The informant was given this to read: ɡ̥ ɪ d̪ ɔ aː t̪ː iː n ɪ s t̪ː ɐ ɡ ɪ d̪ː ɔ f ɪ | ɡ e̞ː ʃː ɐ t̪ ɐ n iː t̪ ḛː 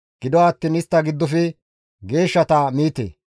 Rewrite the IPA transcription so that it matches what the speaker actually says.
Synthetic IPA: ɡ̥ ɪ d̪ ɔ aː t̪ː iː n ɪ s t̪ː ɐ ɡ ɪ d̪ː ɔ f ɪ | ɡ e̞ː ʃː ɐ t̪ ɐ m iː t̪ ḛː